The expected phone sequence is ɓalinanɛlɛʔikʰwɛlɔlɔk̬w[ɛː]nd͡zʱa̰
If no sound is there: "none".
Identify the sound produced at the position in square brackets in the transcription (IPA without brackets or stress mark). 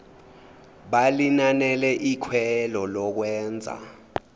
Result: ɛː